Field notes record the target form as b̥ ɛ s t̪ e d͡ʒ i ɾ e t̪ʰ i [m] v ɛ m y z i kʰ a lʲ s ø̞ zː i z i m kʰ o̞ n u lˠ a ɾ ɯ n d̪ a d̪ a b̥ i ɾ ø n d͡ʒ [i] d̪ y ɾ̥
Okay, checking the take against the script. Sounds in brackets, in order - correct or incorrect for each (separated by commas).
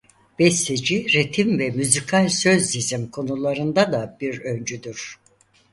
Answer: correct, incorrect